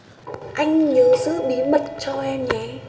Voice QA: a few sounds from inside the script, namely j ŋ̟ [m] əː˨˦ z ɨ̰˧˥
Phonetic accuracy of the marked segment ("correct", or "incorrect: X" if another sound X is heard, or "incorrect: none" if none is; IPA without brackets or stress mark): incorrect: ɲ